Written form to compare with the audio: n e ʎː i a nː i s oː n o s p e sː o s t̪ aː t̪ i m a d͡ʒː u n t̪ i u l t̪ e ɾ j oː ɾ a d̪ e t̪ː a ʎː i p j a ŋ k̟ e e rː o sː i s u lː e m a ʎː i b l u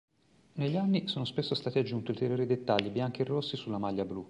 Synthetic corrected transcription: n e ʎː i a nː i s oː n o s p e sː o s t̪ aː t̪ i a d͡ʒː u n t̪ i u l t̪ e ɾ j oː ɾ i d̪ e t̪ː a ʎː i b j a ŋ k̟ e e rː o sː i s u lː a m a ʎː a b l u